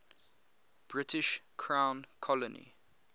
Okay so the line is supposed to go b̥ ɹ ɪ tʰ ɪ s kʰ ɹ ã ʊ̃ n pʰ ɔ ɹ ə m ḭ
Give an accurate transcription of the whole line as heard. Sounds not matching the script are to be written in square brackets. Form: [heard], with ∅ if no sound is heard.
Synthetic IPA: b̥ ɹ ɪ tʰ ɪ [ʃ] kʰ ɹ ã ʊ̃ n [kʰ] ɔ [l] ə [n] ḭ